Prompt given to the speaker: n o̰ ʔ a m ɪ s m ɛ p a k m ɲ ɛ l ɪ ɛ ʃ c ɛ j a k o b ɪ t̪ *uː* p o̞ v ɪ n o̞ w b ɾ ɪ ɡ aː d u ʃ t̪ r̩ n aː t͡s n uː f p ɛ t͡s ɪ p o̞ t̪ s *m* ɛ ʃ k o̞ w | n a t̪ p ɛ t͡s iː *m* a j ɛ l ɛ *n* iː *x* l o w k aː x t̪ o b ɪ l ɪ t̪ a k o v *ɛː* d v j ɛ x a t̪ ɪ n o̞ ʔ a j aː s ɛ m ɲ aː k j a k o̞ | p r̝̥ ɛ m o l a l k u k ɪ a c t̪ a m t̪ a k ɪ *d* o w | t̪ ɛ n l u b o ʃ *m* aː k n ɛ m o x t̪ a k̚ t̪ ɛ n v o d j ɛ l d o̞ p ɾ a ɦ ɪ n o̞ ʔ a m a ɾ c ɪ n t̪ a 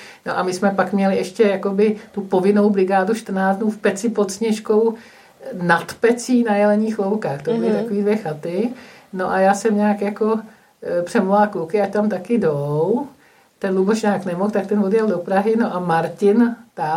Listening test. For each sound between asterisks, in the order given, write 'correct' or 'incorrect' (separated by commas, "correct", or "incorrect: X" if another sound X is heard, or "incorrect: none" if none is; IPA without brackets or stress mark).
incorrect: u, incorrect: ɲ, incorrect: n, incorrect: ɲ, correct, incorrect: iː, correct, incorrect: ɲ